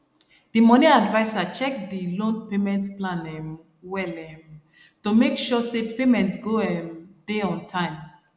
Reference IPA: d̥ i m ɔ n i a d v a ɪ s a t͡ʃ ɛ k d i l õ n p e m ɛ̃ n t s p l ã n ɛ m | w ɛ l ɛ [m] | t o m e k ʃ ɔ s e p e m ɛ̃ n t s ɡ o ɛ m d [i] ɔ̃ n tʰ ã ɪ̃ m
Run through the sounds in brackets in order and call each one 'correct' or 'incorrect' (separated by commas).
correct, incorrect